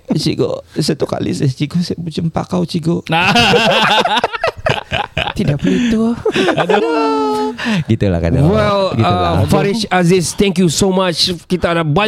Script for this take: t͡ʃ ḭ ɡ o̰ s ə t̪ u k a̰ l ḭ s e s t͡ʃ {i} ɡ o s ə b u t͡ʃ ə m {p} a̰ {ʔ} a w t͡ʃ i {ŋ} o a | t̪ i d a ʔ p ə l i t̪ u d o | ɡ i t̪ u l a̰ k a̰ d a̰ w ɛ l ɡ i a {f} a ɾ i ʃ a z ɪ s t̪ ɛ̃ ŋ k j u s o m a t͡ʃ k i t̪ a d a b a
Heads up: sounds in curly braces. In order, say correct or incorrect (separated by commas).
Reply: correct, correct, incorrect, incorrect, correct